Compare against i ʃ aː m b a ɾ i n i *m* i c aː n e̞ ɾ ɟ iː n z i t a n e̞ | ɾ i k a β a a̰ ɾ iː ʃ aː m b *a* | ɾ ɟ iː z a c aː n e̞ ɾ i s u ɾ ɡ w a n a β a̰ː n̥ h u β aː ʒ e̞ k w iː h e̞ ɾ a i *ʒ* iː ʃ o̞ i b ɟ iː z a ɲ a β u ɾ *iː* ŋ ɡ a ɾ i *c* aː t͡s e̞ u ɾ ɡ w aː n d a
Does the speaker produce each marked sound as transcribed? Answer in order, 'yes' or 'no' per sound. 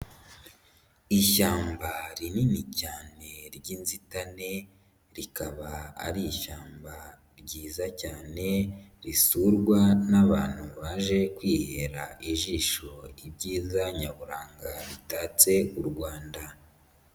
no, yes, yes, no, no

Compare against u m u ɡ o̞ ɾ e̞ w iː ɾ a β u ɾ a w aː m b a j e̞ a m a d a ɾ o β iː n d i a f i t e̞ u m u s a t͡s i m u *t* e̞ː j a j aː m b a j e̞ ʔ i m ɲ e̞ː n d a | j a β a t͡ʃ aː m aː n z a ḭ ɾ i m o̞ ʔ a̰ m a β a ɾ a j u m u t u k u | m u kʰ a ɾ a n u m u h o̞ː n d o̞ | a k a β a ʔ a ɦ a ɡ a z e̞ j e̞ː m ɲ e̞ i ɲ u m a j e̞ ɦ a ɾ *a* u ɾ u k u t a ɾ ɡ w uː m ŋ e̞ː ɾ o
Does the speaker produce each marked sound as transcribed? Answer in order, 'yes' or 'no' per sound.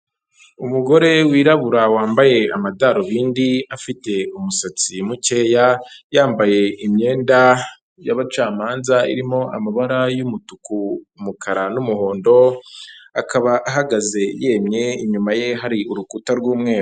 no, no

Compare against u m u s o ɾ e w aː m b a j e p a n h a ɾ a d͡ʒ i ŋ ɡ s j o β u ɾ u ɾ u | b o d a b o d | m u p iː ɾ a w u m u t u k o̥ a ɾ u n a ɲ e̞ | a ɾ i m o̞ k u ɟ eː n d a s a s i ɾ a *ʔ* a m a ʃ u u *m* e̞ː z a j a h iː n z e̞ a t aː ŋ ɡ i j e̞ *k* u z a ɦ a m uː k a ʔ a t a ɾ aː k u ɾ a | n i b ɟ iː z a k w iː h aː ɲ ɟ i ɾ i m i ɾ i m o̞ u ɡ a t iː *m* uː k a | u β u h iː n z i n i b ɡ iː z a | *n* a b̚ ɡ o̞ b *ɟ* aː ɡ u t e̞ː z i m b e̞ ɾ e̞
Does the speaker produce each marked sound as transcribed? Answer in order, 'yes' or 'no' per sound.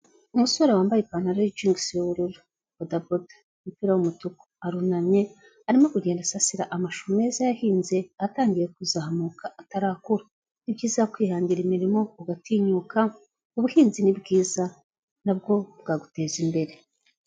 yes, yes, yes, no, yes, no

